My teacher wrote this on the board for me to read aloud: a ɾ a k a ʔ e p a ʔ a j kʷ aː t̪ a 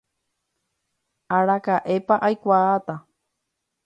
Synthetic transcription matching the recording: a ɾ a k a ʔ e p a ʔ a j kʷ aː t̪ a